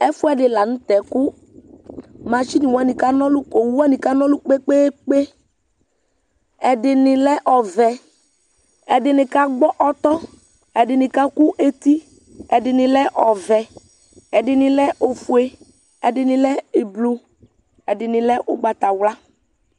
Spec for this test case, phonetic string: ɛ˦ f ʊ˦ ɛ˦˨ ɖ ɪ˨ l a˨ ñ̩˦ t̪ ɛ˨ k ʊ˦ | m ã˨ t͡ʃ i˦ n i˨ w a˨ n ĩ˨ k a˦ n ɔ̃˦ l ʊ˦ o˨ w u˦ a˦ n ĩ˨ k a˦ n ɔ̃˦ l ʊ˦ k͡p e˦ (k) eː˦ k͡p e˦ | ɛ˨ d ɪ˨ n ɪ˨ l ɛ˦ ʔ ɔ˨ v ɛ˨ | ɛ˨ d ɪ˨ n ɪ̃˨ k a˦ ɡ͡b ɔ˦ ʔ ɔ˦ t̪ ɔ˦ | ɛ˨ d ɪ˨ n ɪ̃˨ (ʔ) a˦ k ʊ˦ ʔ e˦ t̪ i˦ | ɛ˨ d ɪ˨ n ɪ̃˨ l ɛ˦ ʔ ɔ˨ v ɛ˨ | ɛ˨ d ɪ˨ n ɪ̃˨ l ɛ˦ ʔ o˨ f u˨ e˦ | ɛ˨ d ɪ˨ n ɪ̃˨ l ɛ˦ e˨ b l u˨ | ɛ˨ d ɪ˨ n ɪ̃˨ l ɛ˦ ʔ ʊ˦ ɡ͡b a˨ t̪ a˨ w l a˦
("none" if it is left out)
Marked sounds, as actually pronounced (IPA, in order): k͡p, k

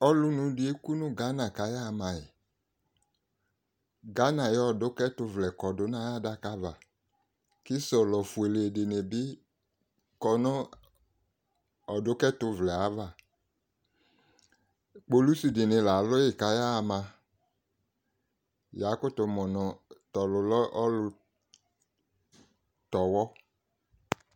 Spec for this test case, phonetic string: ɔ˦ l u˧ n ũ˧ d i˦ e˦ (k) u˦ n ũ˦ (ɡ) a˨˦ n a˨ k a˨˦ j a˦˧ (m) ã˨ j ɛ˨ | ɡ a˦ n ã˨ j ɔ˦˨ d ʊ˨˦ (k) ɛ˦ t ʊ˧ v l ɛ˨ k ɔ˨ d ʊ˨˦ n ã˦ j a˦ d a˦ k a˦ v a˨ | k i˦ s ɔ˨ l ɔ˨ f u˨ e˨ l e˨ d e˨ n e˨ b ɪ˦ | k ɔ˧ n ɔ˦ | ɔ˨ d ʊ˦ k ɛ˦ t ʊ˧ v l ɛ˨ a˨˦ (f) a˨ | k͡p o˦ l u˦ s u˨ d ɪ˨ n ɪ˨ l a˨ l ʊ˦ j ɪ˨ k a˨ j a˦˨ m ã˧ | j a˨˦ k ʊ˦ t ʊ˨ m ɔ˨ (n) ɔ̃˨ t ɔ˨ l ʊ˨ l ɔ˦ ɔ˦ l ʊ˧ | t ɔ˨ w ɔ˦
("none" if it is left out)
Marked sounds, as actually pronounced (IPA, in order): k, ɡ, m, k, v, n

